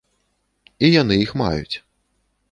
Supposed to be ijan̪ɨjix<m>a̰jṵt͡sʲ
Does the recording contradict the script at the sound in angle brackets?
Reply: no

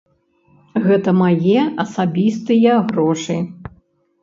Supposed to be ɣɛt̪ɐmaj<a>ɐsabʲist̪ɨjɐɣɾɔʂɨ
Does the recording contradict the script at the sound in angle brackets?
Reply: yes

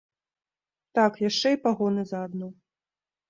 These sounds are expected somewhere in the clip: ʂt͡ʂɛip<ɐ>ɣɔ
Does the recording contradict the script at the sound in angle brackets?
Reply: yes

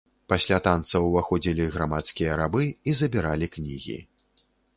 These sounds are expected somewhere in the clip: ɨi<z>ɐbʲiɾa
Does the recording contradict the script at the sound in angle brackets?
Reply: no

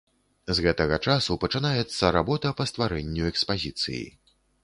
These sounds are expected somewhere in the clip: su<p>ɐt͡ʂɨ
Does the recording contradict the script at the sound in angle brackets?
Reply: no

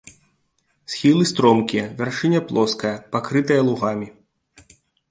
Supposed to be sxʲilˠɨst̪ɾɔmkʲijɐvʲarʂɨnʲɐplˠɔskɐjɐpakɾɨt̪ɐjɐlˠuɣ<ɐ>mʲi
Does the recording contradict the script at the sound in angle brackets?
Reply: yes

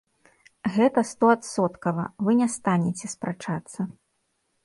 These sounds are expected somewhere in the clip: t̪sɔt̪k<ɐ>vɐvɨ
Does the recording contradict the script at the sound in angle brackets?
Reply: no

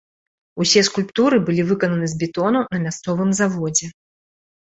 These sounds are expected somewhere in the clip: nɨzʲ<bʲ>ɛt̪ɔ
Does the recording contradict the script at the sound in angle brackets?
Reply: no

